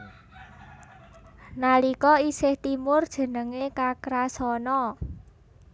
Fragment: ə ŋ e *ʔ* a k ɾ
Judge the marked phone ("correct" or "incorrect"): incorrect